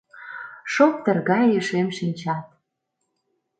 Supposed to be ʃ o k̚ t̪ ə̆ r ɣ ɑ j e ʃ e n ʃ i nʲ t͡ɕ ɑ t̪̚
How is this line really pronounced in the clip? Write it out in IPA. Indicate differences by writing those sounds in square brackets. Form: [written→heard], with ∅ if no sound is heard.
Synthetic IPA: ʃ o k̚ t̪ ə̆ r ɣ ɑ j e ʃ e [n→m] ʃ i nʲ t͡ɕ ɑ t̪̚